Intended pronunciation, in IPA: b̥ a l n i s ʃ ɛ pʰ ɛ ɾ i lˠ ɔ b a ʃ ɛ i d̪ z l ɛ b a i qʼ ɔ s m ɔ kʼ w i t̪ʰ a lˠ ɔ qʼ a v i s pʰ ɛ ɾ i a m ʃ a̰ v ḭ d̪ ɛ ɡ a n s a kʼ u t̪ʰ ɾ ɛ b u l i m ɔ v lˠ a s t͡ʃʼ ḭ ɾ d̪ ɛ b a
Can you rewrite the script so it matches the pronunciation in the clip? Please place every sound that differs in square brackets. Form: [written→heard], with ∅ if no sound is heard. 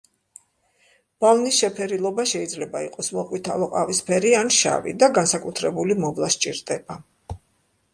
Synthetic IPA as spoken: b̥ a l n i s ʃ ɛ pʰ ɛ ɾ i lˠ ɔ b a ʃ ɛ i d̪ z l ɛ b a i qʼ ɔ s m ɔ [kʼ→qʼ] w i t̪ʰ a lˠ ɔ qʼ a v i s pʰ ɛ ɾ i a [m→n] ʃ a̰ v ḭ d̪ [ɛ→a] ɡ a n s a kʼ u t̪ʰ ɾ ɛ b u l i m ɔ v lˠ a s t͡ʃʼ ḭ ɾ d̪ ɛ b a

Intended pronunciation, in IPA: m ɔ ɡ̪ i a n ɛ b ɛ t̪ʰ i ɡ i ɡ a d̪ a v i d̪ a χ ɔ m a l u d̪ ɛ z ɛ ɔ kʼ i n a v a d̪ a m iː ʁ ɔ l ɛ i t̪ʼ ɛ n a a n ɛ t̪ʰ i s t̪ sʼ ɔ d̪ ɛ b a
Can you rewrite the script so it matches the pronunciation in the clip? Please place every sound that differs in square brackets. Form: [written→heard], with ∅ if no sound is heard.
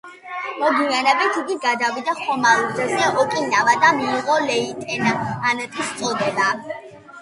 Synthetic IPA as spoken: m ɔ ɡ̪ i a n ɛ b ɛ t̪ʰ i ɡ i ɡ a d̪ a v i d̪ a χ ɔ m a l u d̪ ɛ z ɛ ɔ kʼ i n a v a d̪ a m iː ʁ ɔ l ɛ i t̪ʼ ɛ n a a n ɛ t̪ʰ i s t̪ sʼ ɔ d̪ ɛ b a

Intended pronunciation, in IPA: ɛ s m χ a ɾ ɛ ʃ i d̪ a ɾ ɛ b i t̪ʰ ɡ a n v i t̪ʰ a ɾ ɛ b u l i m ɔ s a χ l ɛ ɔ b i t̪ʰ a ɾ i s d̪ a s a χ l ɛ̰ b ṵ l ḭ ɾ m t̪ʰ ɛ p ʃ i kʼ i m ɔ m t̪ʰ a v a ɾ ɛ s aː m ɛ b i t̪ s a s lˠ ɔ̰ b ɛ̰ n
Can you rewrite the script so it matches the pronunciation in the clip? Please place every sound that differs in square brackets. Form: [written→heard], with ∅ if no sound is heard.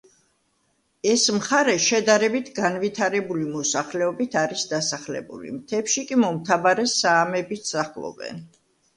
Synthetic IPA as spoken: ɛ s m χ a ɾ ɛ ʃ [i→ɛ] d̪ a ɾ ɛ b i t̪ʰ ɡ a n v i t̪ʰ a ɾ ɛ b u l i m ɔ s a χ l ɛ ɔ b i t̪ʰ a ɾ i s d̪ a s a χ l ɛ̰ b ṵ l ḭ [ɾ→∅] m t̪ʰ ɛ p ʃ i kʼ i m ɔ m t̪ʰ a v a ɾ ɛ s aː m ɛ b i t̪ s a [s→χ] lˠ ɔ̰ b ɛ̰ n

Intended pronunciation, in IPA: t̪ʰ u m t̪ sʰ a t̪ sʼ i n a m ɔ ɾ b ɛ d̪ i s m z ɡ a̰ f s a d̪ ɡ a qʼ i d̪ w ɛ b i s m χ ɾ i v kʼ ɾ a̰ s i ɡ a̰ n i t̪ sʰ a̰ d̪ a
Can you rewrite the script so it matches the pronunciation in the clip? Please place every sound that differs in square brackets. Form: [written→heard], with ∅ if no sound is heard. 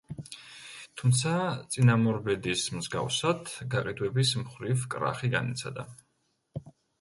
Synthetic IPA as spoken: t̪ʰ u m t̪ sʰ a t̪ sʼ i n a m ɔ ɾ b ɛ d̪ i s m z ɡ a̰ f s a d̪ ɡ a qʼ i d̪ w ɛ b i s m χ ɾ i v kʼ ɾ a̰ [s→χ] i ɡ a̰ n i t̪ sʰ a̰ d̪ a

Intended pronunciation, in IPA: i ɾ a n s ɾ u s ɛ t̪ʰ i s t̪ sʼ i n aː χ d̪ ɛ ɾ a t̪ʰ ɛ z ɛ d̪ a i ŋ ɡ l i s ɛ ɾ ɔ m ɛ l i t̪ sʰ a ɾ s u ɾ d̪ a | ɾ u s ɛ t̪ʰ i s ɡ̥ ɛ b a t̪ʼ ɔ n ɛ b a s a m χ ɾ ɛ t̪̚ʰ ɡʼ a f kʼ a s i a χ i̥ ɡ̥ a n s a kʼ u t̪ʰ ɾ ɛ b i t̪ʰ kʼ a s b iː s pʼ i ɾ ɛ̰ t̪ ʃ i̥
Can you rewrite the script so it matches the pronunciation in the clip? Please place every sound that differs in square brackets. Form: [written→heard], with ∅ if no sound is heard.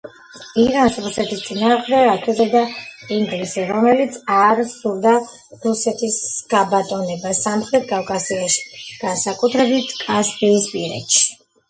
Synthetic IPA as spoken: i ɾ a n s ɾ u s ɛ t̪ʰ i s t̪ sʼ i n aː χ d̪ ɛ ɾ a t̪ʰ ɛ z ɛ d̪ a i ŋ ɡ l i s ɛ ɾ ɔ m ɛ l i t̪ sʰ a ɾ s u ɾ d̪ a | ɾ u s ɛ t̪ʰ i s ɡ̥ [ɛ→a] b a t̪ʼ ɔ n ɛ b a s a m χ ɾ ɛ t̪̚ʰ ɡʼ a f kʼ a s i a [χ→ʃ] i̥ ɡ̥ a n s a kʼ u t̪ʰ ɾ ɛ b i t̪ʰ kʼ a s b iː s pʼ i ɾ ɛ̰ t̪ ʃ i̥

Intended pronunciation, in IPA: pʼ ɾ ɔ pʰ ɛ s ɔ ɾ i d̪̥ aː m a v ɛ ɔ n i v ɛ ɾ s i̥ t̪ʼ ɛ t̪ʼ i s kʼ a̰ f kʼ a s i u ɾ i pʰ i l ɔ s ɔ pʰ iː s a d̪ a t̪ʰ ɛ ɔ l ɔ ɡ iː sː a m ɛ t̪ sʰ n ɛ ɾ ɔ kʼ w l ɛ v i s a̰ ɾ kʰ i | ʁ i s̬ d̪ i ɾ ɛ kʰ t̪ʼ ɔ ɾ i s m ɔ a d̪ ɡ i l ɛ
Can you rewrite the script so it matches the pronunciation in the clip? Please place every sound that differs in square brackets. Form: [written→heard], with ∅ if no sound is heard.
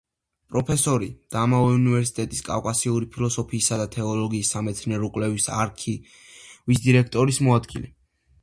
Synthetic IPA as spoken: pʼ ɾ ɔ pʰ ɛ s ɔ ɾ i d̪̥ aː m a v ɛ [ɔ→u] n i v ɛ ɾ s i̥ t̪ʼ ɛ t̪ʼ i s kʼ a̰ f kʼ a s i u ɾ i pʰ i l ɔ s ɔ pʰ iː s a d̪ a t̪ʰ ɛ ɔ l ɔ ɡ iː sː a m ɛ t̪ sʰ n ɛ ɾ ɔ kʼ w l ɛ v i s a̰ ɾ kʰ i | [ʁ→v] i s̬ d̪ i ɾ ɛ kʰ t̪ʼ ɔ ɾ i s m ɔ a d̪ ɡ i l ɛ

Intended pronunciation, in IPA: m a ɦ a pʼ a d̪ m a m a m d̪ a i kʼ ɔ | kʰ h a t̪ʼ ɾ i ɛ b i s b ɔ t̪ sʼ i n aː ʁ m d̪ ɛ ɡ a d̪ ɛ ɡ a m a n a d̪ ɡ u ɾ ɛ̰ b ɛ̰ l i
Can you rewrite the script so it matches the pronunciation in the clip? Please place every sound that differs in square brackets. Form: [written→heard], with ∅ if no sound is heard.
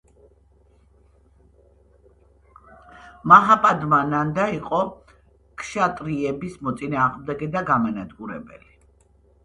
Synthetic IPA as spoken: m a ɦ a pʼ a d̪ m a [m→n] a [m→n] d̪ a i [kʼ→qʼ] ɔ | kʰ [h→ʃ] a t̪ʼ ɾ i ɛ b i s [b→m] ɔ t̪ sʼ i n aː ʁ m d̪ ɛ ɡ [a→ɛ] d̪ [ɛ→a] ɡ a m a n a d̪ ɡ u ɾ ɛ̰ b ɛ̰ l i

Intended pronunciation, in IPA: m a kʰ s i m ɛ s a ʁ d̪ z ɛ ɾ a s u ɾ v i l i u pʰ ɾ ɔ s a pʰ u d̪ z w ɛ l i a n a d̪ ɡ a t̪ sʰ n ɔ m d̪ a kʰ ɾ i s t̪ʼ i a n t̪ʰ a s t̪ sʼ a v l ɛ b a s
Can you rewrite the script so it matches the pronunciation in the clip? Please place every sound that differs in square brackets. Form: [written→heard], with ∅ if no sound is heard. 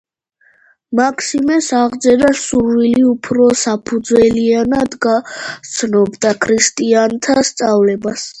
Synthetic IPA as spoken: m a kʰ s i m ɛ s a ʁ d̪ z ɛ ɾ a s u ɾ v i l i u pʰ ɾ ɔ s a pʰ u d̪ z w ɛ l i a n a d̪ ɡ a t̪ sʰ n ɔ [m→b] d̪ a kʰ ɾ i s t̪ʼ i a n t̪ʰ a s t̪ sʼ a v l ɛ b a s

